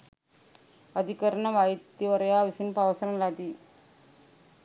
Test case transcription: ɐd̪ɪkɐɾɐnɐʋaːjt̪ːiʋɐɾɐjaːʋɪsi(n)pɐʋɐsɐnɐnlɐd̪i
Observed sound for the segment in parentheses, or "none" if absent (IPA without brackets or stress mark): n